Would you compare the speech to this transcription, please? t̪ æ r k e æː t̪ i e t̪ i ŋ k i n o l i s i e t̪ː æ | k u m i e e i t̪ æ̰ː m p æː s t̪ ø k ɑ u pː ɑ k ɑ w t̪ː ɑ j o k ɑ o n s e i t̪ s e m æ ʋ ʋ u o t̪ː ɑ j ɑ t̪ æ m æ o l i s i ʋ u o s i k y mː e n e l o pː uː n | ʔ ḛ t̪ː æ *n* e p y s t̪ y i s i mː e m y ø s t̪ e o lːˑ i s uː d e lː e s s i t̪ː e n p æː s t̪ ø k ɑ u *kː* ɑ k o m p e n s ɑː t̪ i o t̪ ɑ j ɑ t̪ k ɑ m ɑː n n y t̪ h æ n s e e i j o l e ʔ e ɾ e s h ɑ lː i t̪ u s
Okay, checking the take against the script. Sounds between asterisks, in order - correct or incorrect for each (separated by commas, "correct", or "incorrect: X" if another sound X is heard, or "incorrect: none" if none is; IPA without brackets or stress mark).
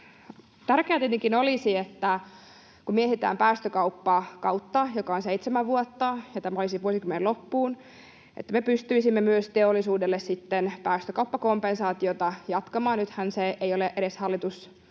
incorrect: m, incorrect: pː